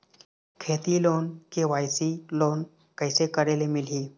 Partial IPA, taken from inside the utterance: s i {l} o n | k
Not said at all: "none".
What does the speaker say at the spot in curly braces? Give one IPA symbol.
l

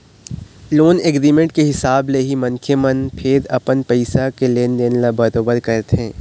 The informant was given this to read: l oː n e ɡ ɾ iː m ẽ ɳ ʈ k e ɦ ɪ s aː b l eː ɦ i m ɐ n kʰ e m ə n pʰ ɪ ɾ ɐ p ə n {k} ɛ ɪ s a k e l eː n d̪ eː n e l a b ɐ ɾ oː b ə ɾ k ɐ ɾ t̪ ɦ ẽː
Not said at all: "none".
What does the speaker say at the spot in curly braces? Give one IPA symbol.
p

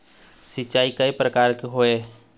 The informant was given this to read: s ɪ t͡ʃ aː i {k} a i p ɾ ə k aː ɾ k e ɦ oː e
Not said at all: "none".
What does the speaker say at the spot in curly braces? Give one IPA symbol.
k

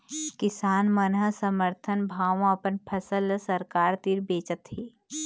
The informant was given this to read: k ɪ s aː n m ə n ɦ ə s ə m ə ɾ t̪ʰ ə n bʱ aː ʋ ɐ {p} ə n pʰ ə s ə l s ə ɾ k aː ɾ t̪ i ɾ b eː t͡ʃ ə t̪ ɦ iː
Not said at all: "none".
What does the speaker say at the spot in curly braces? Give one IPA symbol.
p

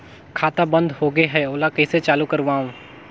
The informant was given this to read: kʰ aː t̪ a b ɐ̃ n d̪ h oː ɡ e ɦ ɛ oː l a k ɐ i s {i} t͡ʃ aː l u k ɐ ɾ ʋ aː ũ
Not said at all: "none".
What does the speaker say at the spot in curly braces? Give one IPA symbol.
e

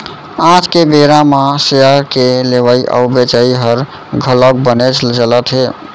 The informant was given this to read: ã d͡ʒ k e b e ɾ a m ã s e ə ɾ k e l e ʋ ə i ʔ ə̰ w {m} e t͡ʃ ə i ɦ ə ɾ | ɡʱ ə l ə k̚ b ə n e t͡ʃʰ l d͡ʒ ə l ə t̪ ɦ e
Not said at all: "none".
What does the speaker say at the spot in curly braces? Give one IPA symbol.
b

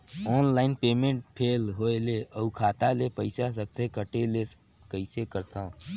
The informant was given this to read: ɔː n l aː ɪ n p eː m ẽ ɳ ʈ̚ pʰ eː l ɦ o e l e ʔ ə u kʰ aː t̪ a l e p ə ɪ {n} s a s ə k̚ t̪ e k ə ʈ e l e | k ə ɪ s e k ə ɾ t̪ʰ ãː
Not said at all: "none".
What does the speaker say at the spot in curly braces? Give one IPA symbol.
none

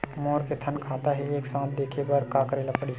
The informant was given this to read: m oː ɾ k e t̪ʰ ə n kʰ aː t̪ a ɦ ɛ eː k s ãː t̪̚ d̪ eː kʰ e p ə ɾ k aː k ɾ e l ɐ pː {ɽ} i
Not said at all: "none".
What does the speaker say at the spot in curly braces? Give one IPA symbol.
ɽ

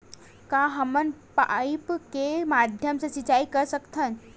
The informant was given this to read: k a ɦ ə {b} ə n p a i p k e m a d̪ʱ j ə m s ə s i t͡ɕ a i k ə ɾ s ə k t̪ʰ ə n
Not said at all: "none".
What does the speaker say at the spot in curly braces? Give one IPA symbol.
m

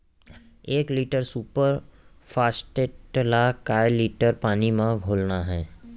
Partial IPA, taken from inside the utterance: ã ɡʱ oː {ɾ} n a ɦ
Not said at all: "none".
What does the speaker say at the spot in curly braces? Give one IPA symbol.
l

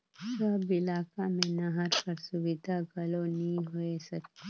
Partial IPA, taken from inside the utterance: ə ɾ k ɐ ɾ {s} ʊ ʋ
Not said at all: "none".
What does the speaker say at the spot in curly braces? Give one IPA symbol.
s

